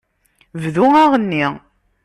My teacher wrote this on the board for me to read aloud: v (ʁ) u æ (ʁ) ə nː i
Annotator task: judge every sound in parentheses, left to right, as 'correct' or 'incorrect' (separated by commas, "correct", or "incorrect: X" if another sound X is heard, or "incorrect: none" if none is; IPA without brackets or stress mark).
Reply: incorrect: ð, correct